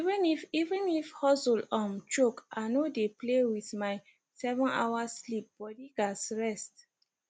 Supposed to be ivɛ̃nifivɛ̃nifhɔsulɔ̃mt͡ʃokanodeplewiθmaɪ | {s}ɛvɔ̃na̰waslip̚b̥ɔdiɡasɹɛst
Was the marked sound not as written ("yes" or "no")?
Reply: no